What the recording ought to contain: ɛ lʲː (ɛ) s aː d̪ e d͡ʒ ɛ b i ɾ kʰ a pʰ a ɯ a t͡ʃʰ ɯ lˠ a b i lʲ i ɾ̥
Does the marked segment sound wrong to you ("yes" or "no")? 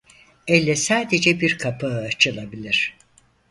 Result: no